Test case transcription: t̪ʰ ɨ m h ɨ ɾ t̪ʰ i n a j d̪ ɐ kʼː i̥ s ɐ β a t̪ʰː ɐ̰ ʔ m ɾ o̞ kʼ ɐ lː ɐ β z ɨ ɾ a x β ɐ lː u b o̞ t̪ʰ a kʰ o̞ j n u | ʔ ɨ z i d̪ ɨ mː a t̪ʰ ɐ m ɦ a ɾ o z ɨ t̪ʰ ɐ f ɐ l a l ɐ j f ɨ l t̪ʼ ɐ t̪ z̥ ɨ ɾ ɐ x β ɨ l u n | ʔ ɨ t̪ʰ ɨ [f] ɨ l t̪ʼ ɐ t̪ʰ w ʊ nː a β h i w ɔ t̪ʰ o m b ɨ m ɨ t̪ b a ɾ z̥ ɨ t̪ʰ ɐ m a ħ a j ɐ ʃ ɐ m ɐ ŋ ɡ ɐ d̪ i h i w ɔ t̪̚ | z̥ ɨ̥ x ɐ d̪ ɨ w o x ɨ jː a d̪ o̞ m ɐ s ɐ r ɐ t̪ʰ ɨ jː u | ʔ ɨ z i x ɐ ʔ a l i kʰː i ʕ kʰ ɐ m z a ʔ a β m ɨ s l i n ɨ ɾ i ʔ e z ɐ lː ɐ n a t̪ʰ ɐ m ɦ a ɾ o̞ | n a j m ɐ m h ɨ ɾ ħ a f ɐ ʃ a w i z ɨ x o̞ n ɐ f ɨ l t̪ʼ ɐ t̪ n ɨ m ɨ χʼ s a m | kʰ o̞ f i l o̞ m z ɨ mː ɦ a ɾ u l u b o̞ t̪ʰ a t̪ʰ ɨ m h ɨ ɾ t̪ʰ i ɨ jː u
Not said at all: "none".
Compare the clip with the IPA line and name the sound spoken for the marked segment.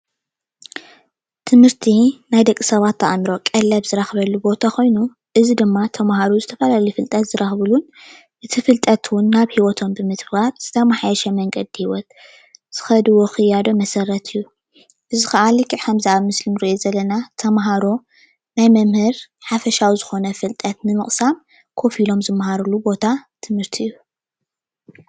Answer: f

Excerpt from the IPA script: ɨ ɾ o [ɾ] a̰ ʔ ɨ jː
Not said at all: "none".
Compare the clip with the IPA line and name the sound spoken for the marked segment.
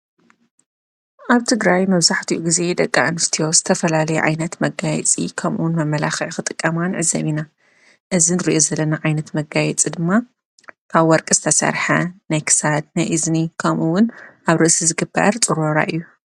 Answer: ɾ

